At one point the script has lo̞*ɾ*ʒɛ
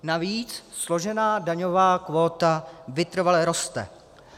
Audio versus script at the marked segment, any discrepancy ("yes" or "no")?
yes